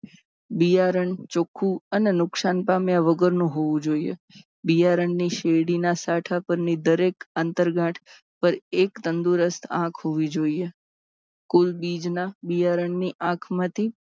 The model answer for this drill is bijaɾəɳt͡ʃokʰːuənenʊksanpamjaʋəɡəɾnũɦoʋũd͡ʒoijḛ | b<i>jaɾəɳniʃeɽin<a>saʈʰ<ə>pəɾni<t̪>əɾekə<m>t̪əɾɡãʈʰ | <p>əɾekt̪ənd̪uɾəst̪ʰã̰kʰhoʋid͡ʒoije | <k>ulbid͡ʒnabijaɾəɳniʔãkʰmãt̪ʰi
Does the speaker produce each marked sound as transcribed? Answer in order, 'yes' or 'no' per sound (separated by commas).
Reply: yes, yes, no, no, no, yes, yes